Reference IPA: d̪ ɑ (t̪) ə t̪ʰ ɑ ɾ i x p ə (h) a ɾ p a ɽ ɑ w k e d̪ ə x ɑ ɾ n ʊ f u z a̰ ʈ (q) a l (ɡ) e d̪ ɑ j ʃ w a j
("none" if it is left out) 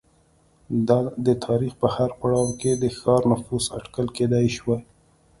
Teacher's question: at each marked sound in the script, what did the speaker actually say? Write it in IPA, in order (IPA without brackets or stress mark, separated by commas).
d̪, h, k, k